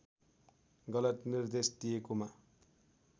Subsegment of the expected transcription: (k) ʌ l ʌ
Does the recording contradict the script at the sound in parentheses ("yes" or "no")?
yes